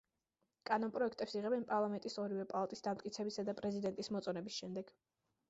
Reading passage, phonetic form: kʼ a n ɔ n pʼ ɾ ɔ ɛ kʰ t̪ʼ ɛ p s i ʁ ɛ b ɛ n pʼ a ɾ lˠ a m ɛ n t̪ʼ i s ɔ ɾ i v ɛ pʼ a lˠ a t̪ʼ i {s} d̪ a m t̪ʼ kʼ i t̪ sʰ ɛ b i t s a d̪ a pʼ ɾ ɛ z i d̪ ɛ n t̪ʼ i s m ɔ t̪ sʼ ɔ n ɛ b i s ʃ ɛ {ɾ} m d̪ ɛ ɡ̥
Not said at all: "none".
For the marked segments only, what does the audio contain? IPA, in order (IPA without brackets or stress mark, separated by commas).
s, none